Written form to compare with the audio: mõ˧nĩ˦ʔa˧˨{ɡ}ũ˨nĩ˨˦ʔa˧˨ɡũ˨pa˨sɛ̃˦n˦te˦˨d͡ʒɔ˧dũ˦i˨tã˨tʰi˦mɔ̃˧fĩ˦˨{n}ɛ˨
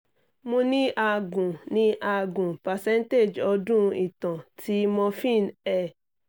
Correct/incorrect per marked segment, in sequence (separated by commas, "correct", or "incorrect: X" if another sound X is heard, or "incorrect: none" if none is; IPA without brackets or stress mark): correct, correct